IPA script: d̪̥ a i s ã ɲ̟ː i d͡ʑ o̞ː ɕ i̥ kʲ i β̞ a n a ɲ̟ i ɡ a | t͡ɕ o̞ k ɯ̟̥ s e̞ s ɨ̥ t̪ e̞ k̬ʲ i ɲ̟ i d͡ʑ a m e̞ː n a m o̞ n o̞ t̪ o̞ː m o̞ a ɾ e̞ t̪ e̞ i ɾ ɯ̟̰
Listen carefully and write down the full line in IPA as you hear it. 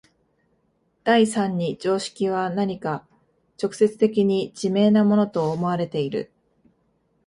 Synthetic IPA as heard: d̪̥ a i s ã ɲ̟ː i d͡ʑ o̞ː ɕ i̥ kʲ i β̞ a n a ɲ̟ i k a | t͡ɕ o̞ k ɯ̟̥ s e̞ t͡s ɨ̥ t̪ e̞ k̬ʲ i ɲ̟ i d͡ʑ i m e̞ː n a m o̞ n o̞ t̪ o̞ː m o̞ a ɾ e̞ t̪ e̞ i ɾ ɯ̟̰